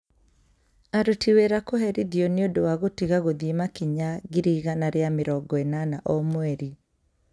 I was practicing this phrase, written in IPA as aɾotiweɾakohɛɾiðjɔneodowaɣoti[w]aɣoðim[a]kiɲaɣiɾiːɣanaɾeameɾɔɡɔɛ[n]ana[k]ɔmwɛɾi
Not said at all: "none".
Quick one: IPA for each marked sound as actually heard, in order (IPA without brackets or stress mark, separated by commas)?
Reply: ɣ, a, n, ʔ